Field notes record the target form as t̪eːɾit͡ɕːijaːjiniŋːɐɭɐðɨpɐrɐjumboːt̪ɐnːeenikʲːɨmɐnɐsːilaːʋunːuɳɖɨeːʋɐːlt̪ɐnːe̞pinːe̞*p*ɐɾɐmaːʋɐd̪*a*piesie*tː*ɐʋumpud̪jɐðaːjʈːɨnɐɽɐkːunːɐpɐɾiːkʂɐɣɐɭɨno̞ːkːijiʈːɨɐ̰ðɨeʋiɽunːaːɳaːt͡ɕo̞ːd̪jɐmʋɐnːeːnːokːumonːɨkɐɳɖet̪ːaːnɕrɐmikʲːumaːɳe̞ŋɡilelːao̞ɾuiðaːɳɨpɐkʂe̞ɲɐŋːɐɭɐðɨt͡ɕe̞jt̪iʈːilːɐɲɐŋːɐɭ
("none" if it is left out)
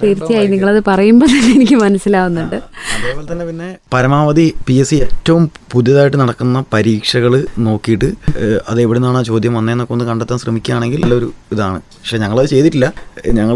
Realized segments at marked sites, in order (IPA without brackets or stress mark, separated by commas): p, i, tː